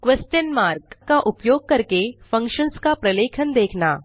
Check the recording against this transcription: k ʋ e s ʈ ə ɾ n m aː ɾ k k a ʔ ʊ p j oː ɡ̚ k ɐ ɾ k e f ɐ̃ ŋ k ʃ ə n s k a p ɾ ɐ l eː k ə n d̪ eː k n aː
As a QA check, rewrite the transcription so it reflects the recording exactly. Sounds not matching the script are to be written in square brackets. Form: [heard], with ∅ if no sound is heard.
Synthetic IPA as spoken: k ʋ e s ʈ ə [∅] n m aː ɾ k k a ʔ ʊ p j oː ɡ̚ k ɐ ɾ k e f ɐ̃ ŋ k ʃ ə n s k a p ɾ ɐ l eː [kʰ] ə n d̪ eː [kʰ] n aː